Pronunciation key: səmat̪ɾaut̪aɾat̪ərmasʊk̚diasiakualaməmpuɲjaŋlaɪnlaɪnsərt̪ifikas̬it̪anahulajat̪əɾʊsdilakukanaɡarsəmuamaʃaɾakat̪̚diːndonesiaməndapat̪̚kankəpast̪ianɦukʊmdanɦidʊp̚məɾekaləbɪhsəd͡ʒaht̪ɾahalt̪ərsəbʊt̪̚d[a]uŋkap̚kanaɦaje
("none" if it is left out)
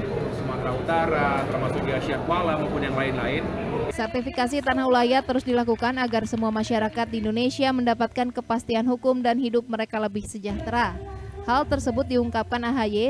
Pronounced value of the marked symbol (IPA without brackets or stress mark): i